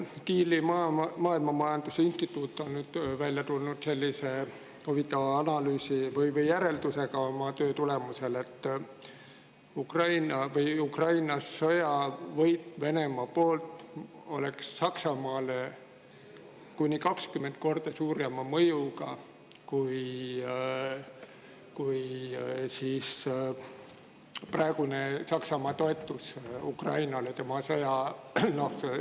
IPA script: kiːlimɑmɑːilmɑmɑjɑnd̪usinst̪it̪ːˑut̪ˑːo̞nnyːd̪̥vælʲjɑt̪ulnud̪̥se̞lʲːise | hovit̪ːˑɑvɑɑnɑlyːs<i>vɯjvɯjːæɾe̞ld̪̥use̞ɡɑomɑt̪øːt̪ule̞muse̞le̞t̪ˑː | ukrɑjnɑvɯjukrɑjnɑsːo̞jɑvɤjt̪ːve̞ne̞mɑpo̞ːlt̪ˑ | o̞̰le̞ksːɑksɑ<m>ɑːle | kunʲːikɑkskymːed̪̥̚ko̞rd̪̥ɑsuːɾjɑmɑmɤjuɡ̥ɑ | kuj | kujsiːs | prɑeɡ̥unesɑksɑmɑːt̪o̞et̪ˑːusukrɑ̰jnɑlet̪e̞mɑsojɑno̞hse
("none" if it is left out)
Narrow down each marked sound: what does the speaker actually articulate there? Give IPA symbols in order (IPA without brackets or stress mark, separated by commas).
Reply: i, m